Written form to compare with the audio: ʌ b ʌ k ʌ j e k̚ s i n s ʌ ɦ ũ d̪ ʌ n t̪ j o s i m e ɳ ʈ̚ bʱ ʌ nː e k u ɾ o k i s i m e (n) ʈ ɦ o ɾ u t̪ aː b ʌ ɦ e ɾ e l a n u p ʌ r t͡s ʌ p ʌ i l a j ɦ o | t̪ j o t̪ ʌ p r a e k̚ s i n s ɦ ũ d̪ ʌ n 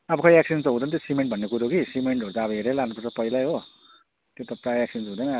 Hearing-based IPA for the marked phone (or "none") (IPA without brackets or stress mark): ɳ